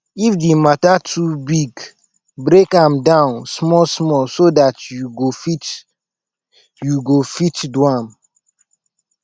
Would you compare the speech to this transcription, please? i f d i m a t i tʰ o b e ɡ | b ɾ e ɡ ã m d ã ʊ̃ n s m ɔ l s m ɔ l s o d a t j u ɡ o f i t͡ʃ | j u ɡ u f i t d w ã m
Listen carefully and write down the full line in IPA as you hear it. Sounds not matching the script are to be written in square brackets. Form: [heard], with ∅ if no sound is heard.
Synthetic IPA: i f d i m a t [a] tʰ [u] b [i] ɡ | b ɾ e [k] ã m d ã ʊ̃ n s m ɔ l s m ɔ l s o d a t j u ɡ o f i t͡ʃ | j u ɡ [o] f i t d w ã m